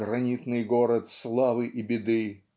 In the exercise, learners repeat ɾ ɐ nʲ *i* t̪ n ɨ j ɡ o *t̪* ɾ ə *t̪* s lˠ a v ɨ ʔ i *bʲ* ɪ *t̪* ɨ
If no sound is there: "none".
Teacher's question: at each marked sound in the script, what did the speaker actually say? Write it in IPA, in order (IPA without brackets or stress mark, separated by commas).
i, none, t̪, bʲ, d̪